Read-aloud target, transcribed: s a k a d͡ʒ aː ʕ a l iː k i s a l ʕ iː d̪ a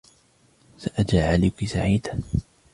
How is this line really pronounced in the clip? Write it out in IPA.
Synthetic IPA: s a ʔ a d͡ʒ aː ʕ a l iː k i s a ʕ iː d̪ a